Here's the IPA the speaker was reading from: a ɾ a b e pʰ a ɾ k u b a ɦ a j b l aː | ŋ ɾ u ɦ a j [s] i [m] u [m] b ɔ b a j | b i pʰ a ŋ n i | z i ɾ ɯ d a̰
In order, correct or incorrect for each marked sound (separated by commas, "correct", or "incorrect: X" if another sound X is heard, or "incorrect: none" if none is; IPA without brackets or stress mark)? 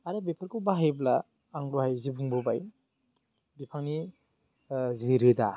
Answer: incorrect: z, incorrect: b, incorrect: ŋ